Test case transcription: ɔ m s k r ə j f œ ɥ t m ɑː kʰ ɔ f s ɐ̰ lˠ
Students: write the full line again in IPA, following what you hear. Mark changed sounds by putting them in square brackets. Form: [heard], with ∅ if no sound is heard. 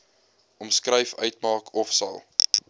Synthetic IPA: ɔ m s k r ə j f œ ɥ t m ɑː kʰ ɔ f s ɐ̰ lˠ